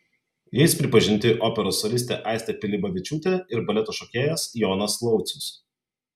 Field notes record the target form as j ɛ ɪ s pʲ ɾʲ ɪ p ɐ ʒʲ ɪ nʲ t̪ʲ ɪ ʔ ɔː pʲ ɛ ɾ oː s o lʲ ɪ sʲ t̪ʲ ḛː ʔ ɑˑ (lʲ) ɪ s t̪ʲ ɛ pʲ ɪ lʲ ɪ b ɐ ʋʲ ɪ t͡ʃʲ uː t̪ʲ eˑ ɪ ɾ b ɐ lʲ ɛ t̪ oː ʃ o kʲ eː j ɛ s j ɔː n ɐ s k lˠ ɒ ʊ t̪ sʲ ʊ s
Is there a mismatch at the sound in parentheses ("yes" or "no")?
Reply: yes